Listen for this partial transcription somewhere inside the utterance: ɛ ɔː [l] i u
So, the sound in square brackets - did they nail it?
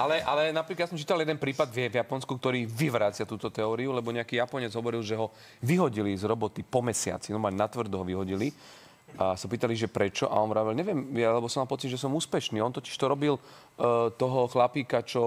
no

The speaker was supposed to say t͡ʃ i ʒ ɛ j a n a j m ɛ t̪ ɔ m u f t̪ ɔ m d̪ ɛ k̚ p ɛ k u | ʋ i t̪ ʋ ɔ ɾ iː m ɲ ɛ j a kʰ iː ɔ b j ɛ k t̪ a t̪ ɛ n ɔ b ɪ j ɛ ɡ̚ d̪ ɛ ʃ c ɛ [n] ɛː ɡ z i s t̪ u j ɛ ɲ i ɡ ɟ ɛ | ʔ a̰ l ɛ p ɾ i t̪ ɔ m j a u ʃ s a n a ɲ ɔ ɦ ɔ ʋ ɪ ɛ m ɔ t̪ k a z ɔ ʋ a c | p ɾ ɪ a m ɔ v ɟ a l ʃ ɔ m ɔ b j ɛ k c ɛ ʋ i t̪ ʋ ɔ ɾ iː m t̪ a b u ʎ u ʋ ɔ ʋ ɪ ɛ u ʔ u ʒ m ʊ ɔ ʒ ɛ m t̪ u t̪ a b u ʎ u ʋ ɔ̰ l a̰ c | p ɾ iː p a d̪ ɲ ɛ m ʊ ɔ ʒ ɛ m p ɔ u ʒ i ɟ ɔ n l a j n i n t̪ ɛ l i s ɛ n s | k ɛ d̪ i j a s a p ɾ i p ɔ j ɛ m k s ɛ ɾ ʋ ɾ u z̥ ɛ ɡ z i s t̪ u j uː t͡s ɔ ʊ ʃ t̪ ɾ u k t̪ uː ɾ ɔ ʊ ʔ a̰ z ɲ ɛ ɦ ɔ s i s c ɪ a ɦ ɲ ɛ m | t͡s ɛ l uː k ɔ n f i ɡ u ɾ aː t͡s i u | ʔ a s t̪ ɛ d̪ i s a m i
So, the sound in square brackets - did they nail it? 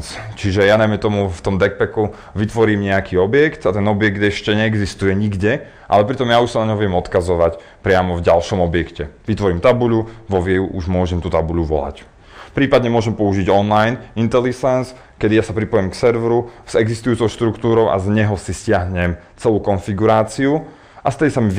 no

